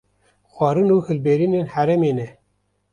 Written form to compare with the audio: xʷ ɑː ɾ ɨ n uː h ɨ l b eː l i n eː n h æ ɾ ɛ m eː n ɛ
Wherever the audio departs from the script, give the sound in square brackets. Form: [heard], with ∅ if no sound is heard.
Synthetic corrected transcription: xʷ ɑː ɾ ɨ n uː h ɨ l b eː [ɾ] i n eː n h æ ɾ ɛ m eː n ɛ